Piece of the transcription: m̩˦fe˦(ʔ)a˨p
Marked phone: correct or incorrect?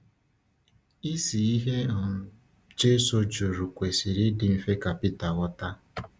incorrect